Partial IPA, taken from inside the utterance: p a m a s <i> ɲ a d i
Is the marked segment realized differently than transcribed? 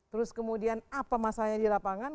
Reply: yes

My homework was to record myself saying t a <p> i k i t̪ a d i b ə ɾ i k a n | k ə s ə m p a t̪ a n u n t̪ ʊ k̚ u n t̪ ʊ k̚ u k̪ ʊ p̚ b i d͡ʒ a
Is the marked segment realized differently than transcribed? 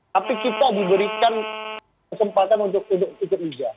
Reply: no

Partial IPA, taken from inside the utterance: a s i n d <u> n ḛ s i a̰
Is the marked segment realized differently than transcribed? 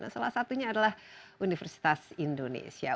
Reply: yes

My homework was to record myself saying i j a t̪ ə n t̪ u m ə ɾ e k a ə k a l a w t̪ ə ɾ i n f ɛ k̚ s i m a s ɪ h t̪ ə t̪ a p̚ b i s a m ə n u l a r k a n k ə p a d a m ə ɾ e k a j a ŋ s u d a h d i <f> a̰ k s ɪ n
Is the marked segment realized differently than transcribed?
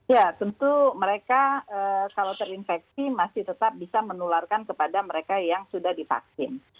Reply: no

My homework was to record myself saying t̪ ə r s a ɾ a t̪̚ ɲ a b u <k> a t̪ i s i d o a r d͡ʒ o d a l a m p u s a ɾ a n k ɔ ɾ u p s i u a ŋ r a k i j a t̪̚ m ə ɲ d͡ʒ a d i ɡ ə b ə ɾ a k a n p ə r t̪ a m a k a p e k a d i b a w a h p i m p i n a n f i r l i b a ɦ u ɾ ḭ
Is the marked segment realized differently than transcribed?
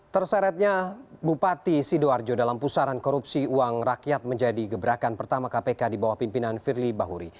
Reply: yes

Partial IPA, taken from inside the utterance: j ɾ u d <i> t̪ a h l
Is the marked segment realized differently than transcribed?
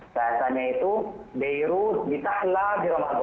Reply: no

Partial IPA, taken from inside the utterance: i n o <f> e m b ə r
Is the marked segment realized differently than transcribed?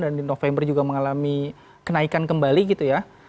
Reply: no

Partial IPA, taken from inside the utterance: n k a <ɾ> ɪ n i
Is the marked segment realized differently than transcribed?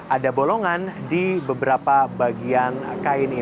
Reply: yes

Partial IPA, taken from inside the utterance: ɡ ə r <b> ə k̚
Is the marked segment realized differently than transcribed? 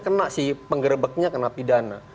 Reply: no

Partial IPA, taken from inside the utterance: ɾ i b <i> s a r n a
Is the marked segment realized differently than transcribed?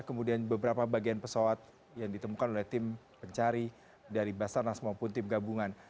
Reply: yes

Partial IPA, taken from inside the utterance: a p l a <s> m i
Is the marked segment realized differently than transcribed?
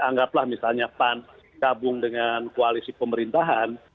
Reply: yes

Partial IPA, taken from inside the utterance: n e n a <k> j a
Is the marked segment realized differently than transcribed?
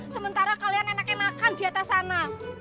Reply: no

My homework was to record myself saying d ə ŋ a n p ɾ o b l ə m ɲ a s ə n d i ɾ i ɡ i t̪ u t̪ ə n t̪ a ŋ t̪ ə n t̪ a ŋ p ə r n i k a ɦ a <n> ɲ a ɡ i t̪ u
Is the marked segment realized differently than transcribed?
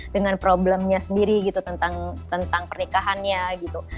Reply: no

